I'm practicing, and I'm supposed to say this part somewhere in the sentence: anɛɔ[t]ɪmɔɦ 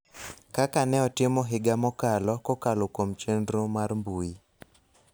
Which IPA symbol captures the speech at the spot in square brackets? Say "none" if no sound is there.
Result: t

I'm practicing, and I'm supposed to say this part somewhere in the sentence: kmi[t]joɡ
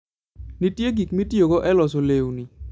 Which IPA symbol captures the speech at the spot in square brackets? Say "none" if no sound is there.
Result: t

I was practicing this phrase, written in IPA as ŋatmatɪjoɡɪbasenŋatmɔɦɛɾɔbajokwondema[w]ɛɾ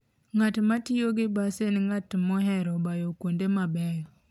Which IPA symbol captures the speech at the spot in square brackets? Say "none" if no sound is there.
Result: b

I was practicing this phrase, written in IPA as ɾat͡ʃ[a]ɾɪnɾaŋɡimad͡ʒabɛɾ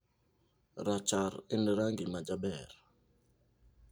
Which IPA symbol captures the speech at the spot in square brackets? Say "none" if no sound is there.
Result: a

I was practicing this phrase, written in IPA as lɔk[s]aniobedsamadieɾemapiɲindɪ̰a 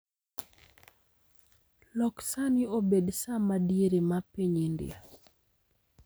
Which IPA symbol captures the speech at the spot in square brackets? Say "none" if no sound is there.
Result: s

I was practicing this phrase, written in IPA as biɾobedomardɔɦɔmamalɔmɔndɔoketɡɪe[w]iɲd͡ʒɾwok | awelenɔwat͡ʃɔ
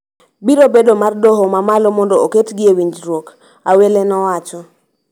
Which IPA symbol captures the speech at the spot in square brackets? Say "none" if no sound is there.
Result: w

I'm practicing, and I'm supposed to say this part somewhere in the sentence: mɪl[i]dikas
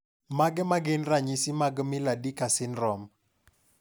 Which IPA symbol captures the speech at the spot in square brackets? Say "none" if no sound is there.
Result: a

